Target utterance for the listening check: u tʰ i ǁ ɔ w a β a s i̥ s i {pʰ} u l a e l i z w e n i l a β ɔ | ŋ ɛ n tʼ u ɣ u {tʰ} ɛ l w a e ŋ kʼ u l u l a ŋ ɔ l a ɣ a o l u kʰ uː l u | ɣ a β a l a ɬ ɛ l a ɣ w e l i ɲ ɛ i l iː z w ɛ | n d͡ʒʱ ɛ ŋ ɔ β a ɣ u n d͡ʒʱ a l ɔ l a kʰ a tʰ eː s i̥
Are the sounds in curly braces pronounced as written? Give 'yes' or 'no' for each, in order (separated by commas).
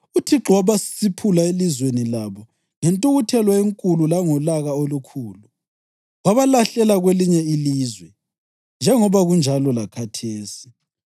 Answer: yes, yes